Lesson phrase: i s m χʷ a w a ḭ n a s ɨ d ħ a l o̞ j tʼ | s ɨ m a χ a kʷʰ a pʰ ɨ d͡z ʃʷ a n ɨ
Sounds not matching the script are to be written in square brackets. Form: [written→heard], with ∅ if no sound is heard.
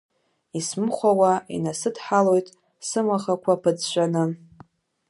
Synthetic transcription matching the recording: i s m χʷ a w a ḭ n a s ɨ d ħ a l o̞ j tʼ | s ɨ m a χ a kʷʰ a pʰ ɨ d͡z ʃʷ a n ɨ